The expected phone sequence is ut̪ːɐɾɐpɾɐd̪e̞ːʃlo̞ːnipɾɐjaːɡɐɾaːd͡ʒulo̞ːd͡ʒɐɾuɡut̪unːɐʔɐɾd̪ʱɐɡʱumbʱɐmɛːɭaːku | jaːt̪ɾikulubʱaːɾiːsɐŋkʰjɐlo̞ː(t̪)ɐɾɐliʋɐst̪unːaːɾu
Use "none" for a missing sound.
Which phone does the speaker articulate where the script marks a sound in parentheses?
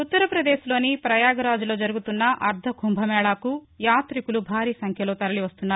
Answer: t̪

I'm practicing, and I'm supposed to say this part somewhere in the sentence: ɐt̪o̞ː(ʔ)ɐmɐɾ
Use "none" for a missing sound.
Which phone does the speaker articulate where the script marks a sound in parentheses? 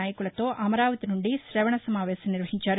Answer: ʔ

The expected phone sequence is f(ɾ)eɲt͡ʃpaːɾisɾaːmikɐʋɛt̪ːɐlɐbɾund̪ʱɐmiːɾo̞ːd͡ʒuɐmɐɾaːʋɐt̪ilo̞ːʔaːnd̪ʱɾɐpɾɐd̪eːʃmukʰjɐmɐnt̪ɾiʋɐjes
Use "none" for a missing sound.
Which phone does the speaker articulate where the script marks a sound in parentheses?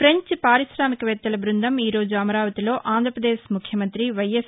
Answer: ɾ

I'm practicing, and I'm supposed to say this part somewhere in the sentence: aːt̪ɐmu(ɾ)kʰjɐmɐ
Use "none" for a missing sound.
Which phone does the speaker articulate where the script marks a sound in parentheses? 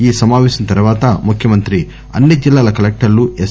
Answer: none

